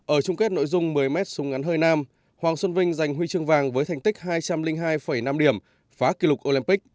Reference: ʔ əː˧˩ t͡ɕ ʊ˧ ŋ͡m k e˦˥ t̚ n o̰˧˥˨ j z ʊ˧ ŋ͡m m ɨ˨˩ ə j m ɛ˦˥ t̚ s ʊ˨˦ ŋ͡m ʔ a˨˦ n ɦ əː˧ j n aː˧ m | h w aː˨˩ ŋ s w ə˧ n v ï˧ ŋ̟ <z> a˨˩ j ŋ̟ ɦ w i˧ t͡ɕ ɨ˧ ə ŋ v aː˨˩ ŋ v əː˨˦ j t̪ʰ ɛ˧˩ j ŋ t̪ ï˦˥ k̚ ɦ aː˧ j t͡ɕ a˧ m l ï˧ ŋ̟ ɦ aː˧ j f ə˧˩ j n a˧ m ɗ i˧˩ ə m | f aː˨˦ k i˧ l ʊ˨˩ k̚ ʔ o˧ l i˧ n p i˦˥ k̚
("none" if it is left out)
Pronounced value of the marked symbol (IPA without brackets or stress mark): z